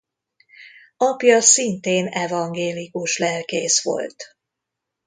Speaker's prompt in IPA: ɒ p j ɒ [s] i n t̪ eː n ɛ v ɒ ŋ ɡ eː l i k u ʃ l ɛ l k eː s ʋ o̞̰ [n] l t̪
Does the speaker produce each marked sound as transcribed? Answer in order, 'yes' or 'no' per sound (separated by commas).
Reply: yes, no